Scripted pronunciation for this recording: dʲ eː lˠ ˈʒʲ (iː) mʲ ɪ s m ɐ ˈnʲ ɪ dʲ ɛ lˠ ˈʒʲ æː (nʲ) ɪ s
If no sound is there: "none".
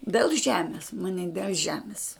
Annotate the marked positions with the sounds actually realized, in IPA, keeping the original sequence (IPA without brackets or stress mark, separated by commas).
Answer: æː, mʲ